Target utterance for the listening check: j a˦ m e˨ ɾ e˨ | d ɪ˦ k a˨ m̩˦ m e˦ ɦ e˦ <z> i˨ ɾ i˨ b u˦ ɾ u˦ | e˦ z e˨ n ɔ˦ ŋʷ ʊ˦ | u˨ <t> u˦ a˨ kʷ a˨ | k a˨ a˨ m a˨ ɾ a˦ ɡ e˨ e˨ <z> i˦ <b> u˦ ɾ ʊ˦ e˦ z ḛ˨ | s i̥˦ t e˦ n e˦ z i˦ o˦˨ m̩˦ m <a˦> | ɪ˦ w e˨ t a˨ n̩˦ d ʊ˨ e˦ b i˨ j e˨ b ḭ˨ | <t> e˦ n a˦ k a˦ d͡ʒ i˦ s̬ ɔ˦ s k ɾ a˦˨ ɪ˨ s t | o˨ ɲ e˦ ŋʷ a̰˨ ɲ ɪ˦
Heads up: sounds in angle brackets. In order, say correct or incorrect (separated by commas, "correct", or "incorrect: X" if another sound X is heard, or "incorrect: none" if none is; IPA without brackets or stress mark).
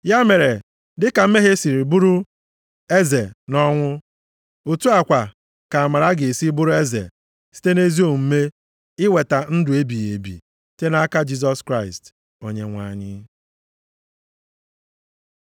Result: incorrect: s, correct, incorrect: s, correct, incorrect: e˦, correct